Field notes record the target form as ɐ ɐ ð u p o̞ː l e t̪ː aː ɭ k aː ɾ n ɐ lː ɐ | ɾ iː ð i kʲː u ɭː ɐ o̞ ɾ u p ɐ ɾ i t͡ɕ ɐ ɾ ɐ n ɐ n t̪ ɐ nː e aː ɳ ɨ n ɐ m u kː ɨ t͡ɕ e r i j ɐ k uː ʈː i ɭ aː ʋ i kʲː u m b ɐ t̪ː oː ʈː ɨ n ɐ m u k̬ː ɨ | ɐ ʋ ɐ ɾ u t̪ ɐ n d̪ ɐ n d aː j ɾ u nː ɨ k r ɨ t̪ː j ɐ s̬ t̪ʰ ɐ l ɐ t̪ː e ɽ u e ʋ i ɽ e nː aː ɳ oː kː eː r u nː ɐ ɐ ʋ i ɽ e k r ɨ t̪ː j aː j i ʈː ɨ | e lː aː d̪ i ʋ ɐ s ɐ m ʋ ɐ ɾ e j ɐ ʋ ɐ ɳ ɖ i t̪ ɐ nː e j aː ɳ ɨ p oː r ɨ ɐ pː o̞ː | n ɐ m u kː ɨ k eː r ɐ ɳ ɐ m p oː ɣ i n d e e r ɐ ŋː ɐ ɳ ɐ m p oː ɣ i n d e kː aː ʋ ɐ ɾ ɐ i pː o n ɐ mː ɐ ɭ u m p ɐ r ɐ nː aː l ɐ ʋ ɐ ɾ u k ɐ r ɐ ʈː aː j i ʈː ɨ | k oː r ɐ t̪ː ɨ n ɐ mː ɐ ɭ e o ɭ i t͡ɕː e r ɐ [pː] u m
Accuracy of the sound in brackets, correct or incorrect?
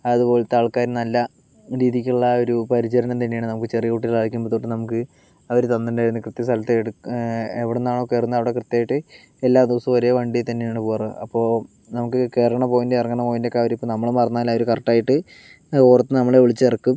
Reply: incorrect